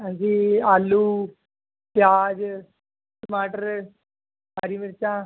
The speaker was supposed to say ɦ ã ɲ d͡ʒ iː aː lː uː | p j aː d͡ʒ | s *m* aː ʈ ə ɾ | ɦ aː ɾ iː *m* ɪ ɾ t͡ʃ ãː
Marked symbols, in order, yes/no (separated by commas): yes, yes